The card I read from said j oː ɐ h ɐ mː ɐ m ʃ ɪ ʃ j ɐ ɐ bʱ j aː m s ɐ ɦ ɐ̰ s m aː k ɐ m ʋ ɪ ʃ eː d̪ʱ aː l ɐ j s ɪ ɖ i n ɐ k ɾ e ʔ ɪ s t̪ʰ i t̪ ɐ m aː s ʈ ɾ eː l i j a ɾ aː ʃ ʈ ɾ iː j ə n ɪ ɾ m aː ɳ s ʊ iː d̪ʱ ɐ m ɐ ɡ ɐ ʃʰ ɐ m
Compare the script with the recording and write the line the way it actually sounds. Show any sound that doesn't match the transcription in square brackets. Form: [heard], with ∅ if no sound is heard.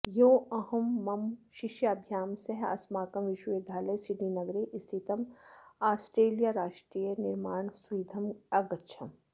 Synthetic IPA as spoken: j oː ɐ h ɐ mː ɐ m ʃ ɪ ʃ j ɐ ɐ bʱ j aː m s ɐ ɦ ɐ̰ s m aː k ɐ m ʋ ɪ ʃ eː d̪ʱ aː l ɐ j s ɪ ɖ i n ɐ [ɡ] ɾ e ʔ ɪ s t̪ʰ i t̪ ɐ m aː s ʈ ɾ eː l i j a ɾ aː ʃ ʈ ɾ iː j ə n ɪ ɾ m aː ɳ s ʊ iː d̪ʱ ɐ m ɐ ɡ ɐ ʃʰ ɐ m